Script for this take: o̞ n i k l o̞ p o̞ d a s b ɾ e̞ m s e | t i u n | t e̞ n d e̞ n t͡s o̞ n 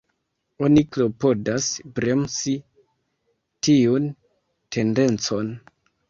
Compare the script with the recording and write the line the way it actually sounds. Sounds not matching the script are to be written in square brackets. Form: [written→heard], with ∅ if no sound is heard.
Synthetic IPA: o̞ n i k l o̞ p o̞ d a s b ɾ e̞ m s [e→i] | t i u n | t e̞ n d e̞ n t͡s o̞ n